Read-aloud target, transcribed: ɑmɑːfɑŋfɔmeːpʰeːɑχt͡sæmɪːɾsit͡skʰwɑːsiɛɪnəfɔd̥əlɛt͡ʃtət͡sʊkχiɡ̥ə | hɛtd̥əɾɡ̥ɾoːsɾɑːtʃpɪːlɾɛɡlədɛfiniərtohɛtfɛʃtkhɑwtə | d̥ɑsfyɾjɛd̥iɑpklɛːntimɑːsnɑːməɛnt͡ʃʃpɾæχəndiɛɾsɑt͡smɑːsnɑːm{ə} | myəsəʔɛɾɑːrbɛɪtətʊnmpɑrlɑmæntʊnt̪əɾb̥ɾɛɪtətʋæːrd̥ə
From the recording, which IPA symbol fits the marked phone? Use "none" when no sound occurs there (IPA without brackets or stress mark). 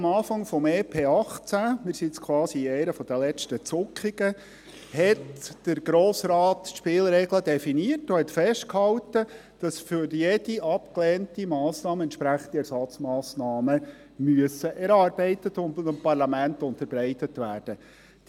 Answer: ə